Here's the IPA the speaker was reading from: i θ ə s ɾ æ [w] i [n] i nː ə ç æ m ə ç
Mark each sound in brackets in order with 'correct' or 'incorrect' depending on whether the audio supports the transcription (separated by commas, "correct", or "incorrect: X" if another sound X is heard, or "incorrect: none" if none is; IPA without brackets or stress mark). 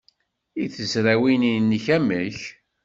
correct, correct